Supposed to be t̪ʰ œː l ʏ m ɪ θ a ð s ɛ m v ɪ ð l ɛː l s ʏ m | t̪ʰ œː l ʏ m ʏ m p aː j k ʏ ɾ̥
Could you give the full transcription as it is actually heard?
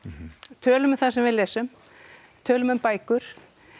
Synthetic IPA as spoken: t̪ʰ œː l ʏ m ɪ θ a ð s ɛ m v ɪ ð l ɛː s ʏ m | t̪ʰ œː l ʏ m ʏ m p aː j k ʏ ɾ̥